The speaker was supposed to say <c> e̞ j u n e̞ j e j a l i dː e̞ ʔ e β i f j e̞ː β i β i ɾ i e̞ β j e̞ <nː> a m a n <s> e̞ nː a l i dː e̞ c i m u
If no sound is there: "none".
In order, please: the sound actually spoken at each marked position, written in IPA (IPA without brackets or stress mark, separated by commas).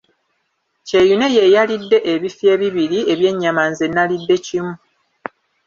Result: c, ɲː, z